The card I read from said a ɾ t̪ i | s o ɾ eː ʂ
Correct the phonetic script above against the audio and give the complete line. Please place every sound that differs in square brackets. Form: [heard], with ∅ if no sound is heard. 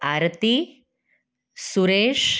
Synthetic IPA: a ɾ t̪ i | s [u] ɾ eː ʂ